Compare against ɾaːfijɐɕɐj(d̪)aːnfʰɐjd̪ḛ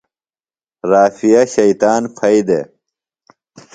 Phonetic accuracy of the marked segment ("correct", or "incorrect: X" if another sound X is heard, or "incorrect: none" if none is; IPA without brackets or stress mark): incorrect: t̪